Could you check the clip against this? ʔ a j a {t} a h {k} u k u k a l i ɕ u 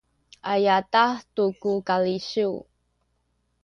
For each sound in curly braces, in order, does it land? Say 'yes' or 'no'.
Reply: yes, no

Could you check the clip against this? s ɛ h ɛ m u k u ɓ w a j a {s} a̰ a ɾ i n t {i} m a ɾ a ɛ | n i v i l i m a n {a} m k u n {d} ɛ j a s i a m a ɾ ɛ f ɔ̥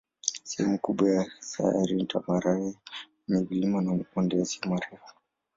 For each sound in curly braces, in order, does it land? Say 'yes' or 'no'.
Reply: yes, no, yes, yes

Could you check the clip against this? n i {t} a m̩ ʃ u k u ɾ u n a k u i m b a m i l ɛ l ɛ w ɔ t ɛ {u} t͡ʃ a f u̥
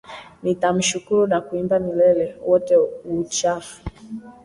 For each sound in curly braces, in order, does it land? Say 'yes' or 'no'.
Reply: yes, yes

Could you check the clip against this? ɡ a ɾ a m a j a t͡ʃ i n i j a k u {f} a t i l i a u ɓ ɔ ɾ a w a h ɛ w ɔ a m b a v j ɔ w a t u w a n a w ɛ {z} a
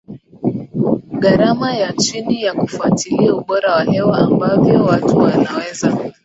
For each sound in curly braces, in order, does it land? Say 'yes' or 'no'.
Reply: yes, yes

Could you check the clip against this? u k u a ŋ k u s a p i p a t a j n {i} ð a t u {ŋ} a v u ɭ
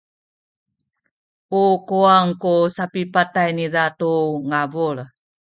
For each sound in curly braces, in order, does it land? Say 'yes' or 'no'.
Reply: yes, yes

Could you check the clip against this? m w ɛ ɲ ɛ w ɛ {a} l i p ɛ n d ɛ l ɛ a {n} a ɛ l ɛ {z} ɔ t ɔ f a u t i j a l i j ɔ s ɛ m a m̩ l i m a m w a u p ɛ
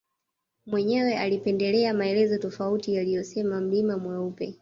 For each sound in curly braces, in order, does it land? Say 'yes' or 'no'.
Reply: yes, no, yes

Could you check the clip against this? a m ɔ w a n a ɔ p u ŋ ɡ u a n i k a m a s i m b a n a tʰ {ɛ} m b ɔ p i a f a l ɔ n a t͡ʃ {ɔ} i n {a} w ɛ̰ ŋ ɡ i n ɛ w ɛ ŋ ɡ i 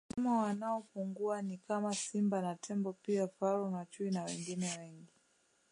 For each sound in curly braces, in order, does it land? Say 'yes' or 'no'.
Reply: yes, no, yes

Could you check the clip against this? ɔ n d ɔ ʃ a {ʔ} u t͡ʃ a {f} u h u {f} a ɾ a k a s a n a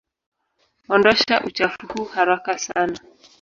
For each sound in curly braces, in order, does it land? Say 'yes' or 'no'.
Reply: yes, yes, no

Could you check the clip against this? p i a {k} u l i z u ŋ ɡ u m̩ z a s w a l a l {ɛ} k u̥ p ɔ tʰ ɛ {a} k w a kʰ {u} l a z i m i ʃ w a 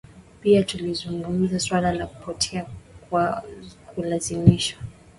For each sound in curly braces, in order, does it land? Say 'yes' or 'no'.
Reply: no, no, yes, yes

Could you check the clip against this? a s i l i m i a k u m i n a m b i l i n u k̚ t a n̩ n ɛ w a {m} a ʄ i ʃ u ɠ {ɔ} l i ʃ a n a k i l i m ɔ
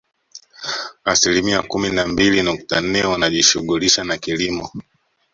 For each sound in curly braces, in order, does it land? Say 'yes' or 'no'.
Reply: no, no

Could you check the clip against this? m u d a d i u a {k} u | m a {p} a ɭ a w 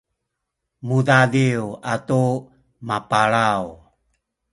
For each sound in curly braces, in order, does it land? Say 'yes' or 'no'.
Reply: no, yes

